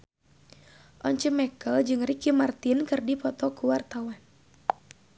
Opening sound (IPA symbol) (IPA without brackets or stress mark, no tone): ʔ